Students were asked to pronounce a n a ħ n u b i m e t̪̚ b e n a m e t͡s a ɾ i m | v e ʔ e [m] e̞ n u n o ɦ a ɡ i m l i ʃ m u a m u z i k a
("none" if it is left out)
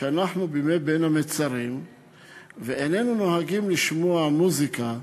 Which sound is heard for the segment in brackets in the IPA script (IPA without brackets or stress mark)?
n